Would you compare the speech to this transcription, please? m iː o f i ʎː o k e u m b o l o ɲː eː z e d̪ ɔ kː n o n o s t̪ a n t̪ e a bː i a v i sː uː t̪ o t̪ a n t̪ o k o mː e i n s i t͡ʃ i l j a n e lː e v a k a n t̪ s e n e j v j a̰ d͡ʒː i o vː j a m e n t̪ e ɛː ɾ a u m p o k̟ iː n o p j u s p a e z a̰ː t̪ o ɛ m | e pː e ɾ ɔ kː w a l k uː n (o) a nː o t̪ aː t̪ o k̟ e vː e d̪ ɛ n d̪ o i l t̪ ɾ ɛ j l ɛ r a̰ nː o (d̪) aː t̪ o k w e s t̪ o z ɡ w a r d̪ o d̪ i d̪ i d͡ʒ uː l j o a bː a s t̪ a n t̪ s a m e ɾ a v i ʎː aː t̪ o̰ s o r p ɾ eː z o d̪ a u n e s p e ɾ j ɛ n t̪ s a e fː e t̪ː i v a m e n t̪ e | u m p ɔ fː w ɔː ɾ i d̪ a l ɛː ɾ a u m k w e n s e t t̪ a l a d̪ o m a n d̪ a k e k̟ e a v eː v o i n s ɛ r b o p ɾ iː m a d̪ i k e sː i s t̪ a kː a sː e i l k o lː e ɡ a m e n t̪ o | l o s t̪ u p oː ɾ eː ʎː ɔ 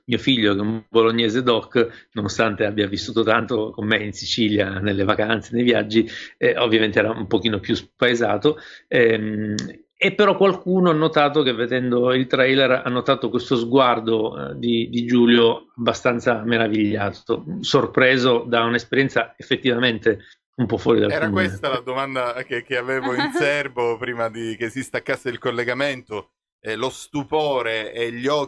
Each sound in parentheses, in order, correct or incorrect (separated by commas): correct, incorrect